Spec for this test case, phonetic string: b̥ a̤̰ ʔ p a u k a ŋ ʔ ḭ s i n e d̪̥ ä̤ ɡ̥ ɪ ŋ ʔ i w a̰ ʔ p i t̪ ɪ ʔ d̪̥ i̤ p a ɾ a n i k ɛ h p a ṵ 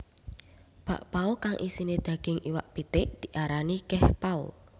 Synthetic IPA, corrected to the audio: b̥ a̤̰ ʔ p a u k a ŋ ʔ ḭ s i n e d̪̥ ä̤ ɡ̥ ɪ ŋ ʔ i w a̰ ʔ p i t̪ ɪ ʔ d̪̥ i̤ ʔ a ɾ a n i k ɛ h p a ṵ